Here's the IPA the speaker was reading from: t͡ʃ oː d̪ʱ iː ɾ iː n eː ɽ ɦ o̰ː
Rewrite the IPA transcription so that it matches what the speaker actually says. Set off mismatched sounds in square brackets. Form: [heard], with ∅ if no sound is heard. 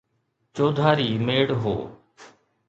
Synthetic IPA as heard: t͡ʃ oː d̪ʱ [aː] ɾ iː [m] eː ɽ ɦ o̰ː